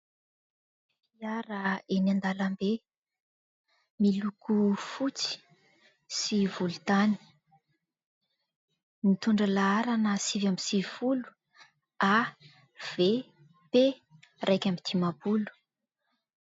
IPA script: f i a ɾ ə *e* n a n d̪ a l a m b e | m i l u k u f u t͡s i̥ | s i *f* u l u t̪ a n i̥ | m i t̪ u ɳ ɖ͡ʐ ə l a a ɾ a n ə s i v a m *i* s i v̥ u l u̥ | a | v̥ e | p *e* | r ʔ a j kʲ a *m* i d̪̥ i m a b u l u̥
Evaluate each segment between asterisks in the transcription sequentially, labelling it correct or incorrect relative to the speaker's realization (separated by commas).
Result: correct, incorrect, correct, correct, correct